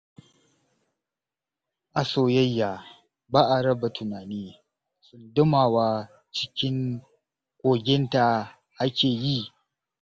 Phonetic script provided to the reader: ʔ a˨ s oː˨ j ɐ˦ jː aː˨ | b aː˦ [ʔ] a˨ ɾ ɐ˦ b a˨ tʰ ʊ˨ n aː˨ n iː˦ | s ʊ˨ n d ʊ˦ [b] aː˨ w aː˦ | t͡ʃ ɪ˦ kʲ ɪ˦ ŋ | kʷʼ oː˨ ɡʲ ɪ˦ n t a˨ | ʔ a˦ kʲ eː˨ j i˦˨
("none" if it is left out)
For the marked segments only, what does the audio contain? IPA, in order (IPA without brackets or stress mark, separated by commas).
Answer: ʔ, m